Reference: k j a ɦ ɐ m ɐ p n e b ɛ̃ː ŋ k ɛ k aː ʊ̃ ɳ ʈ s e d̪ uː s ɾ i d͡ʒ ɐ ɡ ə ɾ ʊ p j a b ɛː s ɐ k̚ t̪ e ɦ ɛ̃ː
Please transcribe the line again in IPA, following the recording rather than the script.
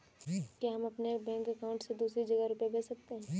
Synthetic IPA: k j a ɦ ɐ m ɐ p n e b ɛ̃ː ŋ k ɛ k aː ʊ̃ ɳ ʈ s e d̪ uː s ɾ i d͡ʒ ɐ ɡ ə ɾ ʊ p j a b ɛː s ɐ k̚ t̪ e ɦ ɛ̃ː